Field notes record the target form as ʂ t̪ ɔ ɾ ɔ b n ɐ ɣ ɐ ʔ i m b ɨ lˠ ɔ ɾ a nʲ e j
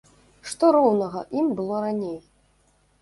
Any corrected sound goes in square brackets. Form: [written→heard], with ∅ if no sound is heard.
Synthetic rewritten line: ʂ t̪ ɔ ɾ ɔ [b→w] n ɐ ɣ ɐ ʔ i m b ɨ lˠ ɔ ɾ a nʲ e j